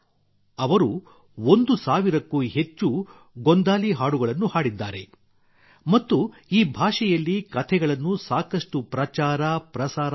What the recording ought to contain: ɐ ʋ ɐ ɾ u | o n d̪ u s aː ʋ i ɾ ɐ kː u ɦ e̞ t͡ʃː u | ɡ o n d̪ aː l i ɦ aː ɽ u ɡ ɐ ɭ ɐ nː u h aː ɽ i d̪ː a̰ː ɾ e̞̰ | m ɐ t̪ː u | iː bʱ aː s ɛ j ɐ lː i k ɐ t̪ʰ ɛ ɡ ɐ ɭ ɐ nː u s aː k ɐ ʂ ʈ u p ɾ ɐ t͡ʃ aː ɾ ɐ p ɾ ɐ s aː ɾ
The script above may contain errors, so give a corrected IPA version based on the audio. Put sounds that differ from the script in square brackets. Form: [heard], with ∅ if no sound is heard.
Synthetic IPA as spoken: ɐ ʋ ɐ ɾ u | o n d̪ u s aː ʋ i ɾ ɐ kː u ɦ e̞ t͡ʃː u | ɡ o n d̪ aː l i ɦ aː ɽ u ɡ ɐ ɭ ɐ nː u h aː ɽ i d̪ː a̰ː ɾ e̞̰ | m ɐ t̪ː u | iː bʱ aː [ʂ] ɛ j ɐ lː i k ɐ t̪ʰ ɛ ɡ ɐ ɭ ɐ nː u s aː k ɐ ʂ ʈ u p ɾ ɐ t͡ʃ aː ɾ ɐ p ɾ ɐ s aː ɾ